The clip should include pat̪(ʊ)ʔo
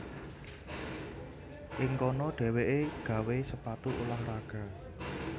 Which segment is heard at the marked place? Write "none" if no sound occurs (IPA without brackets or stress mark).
u